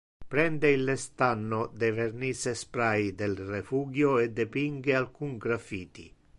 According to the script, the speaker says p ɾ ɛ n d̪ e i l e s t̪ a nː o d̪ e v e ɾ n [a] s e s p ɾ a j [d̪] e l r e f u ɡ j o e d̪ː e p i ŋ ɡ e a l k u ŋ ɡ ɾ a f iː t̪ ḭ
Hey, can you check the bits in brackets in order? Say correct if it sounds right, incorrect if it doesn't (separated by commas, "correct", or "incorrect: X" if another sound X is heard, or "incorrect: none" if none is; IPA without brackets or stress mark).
incorrect: i, correct